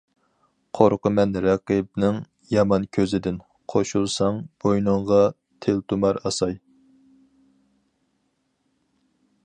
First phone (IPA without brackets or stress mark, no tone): qʰ